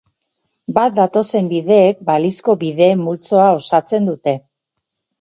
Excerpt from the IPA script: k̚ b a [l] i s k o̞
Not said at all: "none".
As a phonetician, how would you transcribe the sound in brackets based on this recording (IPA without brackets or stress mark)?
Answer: l